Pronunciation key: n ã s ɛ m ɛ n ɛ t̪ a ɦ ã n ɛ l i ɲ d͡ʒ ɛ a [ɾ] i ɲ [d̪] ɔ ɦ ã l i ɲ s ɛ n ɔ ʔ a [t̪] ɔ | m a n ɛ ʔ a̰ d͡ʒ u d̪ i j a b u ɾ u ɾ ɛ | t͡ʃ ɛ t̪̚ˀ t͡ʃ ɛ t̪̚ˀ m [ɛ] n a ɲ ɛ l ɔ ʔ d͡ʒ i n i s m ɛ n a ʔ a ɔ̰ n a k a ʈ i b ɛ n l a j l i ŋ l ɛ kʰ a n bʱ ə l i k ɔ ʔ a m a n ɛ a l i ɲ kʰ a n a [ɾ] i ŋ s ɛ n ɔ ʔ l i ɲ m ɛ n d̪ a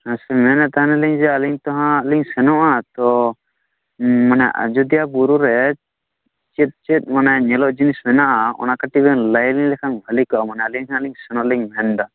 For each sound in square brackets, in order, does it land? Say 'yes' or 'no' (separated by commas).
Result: no, no, yes, no, no